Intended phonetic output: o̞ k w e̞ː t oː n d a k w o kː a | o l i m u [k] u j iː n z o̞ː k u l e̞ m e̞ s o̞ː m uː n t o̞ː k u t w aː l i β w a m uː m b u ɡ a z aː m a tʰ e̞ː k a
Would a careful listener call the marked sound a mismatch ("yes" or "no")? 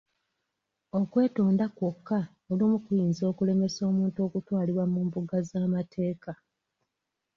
no